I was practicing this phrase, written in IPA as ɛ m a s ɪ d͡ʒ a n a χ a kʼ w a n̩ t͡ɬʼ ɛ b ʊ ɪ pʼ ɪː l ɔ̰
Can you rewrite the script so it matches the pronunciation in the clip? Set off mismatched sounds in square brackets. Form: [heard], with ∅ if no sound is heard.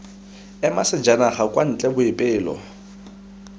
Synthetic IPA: ɛ m a s ɪ d͡ʒ a n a χ a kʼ w a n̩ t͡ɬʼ ɛ b ʊ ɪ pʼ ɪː l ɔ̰